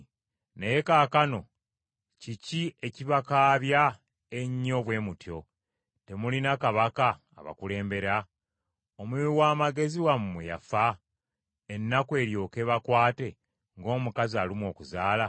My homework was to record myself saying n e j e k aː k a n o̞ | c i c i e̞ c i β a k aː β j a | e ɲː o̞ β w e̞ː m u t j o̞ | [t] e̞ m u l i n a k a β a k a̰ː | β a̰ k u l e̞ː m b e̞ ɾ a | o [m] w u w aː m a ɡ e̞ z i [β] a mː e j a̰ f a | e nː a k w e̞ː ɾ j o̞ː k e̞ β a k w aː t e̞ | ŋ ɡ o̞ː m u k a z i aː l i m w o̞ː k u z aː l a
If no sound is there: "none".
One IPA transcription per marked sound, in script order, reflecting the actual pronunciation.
t, m, w

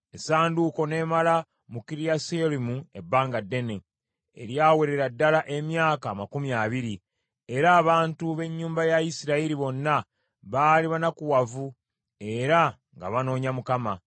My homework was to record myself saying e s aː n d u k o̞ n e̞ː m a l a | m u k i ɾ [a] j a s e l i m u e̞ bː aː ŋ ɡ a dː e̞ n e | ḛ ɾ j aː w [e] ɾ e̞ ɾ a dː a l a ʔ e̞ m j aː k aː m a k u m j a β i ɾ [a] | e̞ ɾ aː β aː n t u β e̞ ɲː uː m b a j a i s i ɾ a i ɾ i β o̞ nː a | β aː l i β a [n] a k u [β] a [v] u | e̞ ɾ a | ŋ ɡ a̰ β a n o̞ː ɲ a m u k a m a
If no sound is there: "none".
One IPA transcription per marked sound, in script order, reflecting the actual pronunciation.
i, e, i, n, w, v

